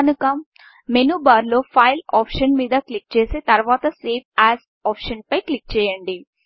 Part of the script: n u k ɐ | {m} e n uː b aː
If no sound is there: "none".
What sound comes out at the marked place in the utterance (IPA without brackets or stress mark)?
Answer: m